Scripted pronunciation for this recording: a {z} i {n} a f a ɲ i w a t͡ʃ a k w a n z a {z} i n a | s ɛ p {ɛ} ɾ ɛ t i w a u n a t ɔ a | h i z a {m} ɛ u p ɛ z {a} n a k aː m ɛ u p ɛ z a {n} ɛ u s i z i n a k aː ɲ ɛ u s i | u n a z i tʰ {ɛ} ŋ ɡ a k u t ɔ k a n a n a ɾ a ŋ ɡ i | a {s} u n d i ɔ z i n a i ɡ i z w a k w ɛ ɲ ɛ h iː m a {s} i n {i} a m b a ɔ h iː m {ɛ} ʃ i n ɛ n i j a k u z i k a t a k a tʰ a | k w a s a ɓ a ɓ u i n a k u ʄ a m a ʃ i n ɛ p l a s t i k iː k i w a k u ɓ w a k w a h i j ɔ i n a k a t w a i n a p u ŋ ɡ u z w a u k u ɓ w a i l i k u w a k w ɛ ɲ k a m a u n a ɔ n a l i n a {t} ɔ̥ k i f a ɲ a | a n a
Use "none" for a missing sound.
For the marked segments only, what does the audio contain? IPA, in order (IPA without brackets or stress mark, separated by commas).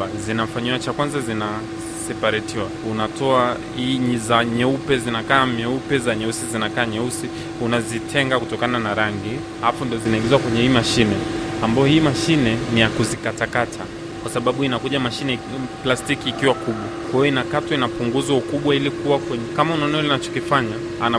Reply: z, n, z, a, ɲ, i, ɲ, ɛ, f, ʃ, ɛ, a, t͡ʃ